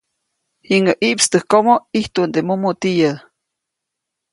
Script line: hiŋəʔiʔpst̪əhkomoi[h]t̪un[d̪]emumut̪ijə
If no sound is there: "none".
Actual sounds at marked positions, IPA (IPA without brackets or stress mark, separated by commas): h, d̪